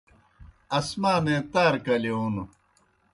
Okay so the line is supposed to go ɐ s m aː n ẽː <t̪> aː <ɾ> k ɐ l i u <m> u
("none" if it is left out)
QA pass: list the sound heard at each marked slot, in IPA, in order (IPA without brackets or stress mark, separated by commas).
t̪, ɾ, n